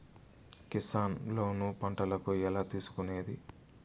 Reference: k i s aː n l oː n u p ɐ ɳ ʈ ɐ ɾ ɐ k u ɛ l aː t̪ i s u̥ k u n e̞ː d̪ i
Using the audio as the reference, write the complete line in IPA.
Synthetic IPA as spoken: k i s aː n l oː n u p ɐ ɳ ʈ ɐ l ɐ k u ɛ l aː t̪ iː s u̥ k u n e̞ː d̪ i